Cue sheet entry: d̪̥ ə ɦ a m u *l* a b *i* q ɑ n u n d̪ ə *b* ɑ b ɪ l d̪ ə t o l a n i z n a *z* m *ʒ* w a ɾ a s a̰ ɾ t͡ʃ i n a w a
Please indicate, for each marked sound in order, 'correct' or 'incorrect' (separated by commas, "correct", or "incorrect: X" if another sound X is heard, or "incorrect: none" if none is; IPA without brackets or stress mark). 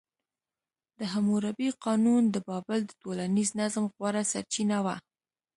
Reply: incorrect: ɾ, correct, correct, correct, incorrect: ɣ